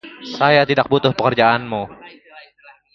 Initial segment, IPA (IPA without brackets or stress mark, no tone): s